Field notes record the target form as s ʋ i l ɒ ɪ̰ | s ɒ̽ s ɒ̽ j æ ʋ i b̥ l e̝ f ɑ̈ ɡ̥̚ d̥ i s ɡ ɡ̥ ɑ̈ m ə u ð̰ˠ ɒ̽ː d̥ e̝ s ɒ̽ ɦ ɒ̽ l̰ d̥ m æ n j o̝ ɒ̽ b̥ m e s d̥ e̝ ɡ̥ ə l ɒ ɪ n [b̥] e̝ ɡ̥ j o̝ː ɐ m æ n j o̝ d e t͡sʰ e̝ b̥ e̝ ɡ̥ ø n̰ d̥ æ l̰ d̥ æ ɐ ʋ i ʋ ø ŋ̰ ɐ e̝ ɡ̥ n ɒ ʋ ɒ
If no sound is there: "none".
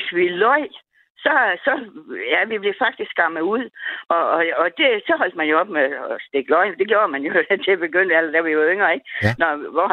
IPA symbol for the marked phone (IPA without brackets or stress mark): d̥